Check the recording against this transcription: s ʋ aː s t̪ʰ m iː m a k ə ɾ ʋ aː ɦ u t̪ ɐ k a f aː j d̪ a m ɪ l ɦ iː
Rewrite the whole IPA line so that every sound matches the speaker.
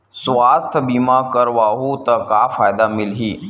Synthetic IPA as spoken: s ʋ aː s t̪ʰ b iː m a k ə ɾ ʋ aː ɦ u t̪ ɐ k a f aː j d̪ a m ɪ l ɦ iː